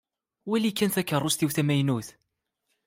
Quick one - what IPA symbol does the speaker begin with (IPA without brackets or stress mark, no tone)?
w